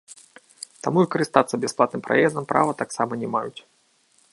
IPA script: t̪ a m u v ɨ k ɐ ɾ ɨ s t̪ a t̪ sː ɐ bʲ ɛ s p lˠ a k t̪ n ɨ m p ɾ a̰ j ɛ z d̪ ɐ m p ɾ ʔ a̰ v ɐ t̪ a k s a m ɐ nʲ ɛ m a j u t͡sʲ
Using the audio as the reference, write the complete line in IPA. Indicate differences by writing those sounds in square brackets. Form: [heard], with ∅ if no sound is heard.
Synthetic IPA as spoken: t̪ a m u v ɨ k ɐ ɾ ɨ s t̪ a t̪ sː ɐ bʲ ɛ s p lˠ a [∅] t̪ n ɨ m p ɾ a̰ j ɛ z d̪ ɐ m p ɾ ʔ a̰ v ɐ t̪ a k s a m ɐ nʲ ɛ m a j u t͡sʲ

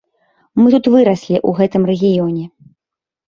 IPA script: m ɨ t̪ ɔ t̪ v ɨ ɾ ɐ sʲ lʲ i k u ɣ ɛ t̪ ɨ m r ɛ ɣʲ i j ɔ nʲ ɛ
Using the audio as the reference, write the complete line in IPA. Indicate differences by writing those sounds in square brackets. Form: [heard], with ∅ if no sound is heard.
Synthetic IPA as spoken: m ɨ t̪ [u] t̪ v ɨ ɾ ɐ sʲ lʲ i [ʔ] u ɣ ɛ t̪ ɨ m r ɛ ɣʲ i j ɔ nʲ ɛ

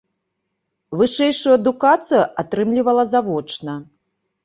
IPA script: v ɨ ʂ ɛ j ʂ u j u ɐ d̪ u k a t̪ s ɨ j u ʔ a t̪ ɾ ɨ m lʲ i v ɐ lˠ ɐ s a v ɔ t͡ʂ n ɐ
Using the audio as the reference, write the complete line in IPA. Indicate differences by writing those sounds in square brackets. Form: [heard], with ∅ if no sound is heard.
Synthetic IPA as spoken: v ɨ ʂ ɛ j ʂ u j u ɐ d̪ u k a t̪ s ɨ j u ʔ a t̪ ɾ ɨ m lʲ i v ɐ lˠ ɐ [z] a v ɔ t͡ʂ n ɐ

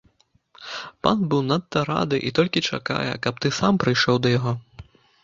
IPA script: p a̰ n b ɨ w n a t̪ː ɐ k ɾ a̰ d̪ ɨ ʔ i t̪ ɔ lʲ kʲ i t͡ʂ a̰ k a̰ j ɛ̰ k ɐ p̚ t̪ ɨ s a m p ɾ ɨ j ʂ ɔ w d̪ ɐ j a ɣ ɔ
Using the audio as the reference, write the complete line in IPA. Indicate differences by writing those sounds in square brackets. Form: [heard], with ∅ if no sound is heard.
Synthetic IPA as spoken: p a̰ n b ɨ w n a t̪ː ɐ [∅] ɾ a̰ d̪ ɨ ʔ i t̪ ɔ lʲ kʲ i t͡ʂ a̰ k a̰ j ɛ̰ k ɐ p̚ t̪ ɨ s a m p ɾ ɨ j ʂ ɔ w d̪ ɐ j a ɣ ɔ

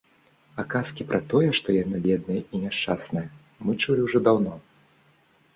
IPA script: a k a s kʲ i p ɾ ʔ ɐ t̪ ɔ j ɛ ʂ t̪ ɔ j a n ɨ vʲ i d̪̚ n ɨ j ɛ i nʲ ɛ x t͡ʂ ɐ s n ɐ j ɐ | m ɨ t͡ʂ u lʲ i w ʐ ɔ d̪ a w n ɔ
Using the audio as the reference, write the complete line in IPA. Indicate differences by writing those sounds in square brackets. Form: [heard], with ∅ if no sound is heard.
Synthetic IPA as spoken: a k a s kʲ i p ɾ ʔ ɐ t̪ ɔ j ɛ ʂ t̪ ɔ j a n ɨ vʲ [ɛ] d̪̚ n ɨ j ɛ i nʲ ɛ [ʂ] t͡ʂ [a] s n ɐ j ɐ | m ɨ t͡ʂ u lʲ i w ʐ ɔ d̪ a w n ɔ

